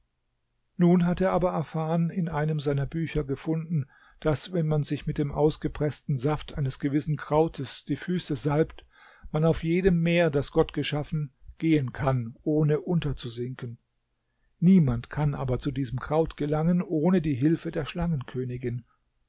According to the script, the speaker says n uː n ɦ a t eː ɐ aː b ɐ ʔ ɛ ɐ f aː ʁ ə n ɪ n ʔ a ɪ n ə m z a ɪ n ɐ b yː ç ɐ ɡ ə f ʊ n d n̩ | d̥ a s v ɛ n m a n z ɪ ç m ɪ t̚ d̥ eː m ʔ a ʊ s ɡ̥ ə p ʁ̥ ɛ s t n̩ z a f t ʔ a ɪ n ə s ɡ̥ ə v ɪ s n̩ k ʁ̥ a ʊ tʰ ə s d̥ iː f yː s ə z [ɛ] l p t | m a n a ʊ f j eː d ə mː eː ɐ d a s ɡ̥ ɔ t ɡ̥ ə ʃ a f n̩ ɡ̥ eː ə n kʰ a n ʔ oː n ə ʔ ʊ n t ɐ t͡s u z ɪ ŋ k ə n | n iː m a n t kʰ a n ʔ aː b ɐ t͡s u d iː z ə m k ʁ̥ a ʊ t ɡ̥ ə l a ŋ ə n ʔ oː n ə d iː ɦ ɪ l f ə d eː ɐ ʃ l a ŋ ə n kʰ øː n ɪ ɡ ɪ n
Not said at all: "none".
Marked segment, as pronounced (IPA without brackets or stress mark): a